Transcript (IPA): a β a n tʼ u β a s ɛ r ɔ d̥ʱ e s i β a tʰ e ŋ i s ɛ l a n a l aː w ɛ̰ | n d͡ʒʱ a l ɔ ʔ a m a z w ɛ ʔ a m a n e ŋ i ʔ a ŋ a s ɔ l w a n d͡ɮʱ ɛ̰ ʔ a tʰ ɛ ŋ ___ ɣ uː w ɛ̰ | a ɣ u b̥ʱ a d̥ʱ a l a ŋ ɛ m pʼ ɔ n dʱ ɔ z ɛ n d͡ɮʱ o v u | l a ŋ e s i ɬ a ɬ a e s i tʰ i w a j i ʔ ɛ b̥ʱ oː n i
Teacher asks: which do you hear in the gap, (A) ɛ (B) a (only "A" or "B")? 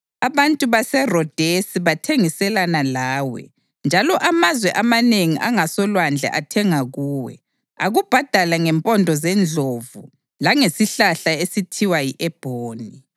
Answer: B